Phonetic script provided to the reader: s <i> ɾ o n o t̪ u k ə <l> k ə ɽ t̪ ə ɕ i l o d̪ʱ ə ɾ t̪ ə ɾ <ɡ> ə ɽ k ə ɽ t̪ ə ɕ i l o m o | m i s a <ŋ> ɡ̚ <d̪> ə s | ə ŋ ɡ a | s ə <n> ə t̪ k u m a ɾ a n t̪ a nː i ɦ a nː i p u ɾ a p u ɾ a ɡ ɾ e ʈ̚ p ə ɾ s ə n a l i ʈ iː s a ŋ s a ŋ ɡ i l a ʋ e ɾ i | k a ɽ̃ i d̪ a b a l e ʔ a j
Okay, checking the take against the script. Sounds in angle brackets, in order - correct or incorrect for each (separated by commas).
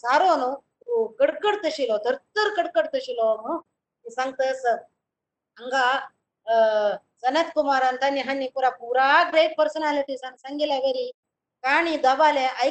incorrect, incorrect, incorrect, correct, incorrect, correct